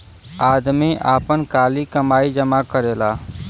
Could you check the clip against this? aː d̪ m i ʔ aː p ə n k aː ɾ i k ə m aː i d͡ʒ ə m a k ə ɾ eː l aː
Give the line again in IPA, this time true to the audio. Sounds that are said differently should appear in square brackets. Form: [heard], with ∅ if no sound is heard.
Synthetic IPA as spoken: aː d̪ m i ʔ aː p ə n k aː [l] i k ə m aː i d͡ʒ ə m a k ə ɾ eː l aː